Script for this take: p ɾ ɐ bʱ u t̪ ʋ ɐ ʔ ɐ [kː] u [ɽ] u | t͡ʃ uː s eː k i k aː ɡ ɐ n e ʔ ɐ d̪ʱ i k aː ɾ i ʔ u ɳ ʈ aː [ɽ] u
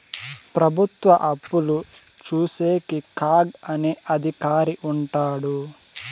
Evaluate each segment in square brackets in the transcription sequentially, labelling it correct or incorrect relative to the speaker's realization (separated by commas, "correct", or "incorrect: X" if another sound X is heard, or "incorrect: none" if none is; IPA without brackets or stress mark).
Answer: incorrect: pː, incorrect: l, correct